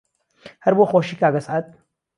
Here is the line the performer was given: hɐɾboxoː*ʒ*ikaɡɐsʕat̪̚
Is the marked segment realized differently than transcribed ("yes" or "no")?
yes